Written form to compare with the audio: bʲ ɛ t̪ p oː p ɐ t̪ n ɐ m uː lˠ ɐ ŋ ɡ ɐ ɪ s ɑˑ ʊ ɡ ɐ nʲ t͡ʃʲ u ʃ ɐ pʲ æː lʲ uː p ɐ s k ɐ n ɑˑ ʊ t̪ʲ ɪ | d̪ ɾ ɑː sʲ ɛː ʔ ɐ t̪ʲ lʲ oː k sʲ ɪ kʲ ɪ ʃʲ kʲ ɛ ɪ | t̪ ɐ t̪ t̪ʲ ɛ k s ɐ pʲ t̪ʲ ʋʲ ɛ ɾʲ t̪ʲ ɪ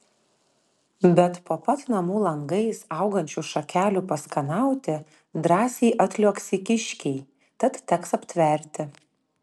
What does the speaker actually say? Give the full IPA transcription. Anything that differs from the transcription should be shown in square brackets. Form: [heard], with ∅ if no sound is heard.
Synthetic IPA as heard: bʲ ɛ t̪ p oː p ɐ t̪ n ɐ m uː lˠ ɐ ŋ ɡ ɐ ɪ s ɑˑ ʊ ɡ ɐ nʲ t͡ʃʲ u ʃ ɐ [kʲ] æː lʲ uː p ɐ s k ɐ n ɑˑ ʊ t̪ʲ ɪ | d̪ ɾ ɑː sʲ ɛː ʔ ɐ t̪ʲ lʲ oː k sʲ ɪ kʲ ɪ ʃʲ kʲ ɛ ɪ | t̪ ɐ t̪ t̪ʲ ɛ k s ɐ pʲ t̪ʲ ʋʲ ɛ ɾʲ t̪ʲ ɪ